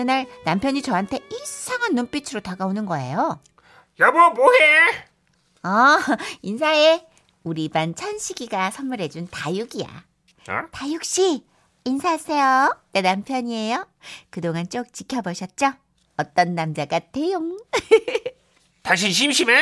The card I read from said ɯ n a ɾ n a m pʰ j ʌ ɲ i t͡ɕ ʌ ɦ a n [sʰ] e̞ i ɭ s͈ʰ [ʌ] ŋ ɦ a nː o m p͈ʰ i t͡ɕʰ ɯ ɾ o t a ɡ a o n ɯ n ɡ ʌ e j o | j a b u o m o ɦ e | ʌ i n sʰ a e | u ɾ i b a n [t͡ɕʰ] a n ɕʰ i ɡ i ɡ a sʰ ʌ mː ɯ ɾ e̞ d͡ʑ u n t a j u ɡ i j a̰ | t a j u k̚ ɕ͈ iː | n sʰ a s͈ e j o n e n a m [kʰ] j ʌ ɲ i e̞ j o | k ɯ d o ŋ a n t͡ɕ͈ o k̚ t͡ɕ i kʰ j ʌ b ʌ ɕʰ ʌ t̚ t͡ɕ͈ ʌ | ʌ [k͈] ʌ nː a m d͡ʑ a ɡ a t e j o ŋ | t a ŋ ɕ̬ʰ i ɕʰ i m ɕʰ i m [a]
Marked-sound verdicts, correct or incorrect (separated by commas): incorrect, incorrect, correct, incorrect, incorrect, incorrect